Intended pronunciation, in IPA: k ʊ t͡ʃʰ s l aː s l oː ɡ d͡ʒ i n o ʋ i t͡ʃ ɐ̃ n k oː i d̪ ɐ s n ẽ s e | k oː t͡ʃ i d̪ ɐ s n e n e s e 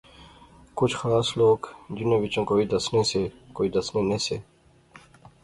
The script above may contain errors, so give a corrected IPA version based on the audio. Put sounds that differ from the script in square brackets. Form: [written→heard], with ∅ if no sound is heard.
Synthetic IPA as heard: k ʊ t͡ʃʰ [s→x] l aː s l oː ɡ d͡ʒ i n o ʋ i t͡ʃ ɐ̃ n k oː i d̪ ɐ s n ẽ s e | k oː [t͡ʃ→∅] i d̪ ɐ s n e n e s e